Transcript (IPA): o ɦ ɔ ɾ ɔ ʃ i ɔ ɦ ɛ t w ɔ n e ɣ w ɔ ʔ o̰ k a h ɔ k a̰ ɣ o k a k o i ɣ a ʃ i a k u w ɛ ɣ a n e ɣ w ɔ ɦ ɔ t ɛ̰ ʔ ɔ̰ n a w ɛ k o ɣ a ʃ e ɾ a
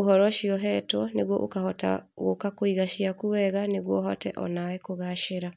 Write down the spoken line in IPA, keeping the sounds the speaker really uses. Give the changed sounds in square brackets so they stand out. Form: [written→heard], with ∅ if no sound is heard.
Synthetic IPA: o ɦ ɔ ɾ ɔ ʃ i ɔ ɦ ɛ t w ɔ n e ɣ w ɔ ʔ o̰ k a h ɔ [k→t] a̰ ɣ o k a k o i ɣ a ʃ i a k u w ɛ ɣ a n e ɣ w ɔ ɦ ɔ t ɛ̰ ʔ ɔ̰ n a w ɛ k o ɣ a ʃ e ɾ a